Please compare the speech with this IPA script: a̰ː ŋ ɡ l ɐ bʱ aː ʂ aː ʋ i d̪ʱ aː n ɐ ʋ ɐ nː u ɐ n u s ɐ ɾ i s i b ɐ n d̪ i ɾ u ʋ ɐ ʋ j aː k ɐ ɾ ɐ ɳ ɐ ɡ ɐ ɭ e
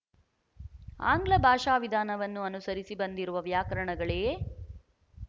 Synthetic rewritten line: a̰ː ŋ ɡ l ɐ bʱ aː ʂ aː ʋ i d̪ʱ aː n ɐ ʋ ɐ nː u ɐ n u s ɐ ɾ i s i b ɐ n d̪ i ɾ u ʋ ɐ ʋ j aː k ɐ ɾ ɐ ɳ ɐ ɡ ɐ ɭ e